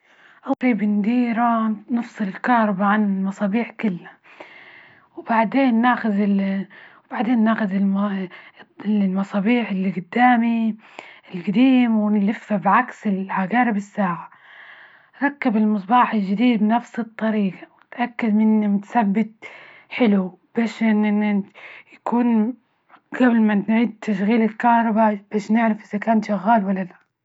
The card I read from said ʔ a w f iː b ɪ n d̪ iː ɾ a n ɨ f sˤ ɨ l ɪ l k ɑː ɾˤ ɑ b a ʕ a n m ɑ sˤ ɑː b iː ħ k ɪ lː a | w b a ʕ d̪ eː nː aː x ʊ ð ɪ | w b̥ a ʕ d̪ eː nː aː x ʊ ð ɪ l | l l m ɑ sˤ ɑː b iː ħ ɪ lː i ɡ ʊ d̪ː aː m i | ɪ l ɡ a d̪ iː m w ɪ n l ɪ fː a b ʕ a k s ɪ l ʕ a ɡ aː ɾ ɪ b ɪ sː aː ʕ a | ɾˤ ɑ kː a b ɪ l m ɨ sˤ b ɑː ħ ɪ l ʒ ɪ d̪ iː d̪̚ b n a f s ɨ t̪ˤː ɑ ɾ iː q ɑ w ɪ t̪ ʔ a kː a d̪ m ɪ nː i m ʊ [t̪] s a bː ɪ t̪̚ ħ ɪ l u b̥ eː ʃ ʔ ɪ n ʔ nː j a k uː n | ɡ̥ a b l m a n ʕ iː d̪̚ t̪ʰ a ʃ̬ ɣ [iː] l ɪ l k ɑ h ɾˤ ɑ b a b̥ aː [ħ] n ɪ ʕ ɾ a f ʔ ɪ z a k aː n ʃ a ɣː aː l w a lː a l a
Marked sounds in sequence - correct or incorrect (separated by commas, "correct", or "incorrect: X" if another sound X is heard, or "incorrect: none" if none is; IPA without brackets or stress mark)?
correct, correct, incorrect: ʃ